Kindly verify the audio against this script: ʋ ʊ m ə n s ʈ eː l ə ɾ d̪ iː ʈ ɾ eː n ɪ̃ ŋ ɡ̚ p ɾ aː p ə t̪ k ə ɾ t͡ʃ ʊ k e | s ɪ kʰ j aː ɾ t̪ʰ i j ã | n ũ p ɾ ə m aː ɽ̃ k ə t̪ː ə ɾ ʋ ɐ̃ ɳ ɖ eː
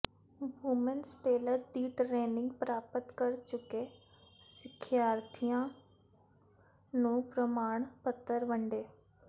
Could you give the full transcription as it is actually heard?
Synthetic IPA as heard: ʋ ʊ m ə n s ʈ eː l ə ɾ d̪ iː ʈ ɾ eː n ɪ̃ ŋ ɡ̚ p ɾ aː p ə t̪ k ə ɾ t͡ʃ ʊ k e | s ɪ kʰ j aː ɾ t̪ʰ i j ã | n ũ p ɾ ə m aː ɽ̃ p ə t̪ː ə ɾ ʋ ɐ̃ ɳ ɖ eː